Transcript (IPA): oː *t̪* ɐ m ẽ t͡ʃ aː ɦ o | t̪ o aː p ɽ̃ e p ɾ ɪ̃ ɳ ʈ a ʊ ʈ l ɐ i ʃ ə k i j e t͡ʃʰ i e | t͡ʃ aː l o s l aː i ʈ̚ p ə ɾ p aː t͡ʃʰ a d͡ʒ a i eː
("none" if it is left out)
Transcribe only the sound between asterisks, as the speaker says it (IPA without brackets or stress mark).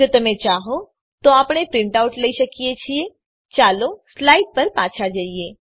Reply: t̪